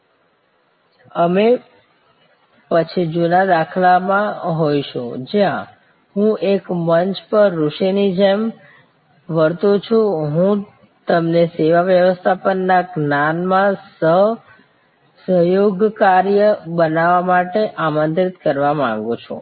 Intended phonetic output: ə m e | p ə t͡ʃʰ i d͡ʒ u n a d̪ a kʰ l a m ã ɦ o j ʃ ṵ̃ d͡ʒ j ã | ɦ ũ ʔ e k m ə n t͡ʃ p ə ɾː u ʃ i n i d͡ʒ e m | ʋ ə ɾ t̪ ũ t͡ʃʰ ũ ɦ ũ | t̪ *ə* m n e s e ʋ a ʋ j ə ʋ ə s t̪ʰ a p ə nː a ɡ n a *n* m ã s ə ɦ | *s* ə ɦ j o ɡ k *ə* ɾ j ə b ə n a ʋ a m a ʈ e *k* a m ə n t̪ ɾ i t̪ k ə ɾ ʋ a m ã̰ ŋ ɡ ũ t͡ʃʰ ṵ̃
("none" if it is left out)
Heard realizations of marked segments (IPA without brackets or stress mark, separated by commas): ə, n, s, a, ʔ